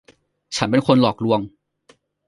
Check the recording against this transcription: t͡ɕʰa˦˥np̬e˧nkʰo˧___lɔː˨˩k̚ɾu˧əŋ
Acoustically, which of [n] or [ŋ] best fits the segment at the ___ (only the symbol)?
n